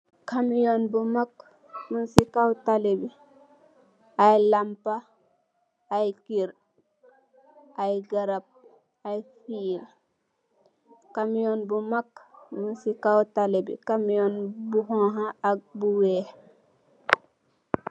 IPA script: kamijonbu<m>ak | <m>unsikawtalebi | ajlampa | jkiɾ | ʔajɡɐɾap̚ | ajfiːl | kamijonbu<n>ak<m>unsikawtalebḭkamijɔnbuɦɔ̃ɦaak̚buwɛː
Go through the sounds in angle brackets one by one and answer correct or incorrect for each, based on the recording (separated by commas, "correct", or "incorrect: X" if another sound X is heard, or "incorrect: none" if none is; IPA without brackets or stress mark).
correct, correct, incorrect: m, correct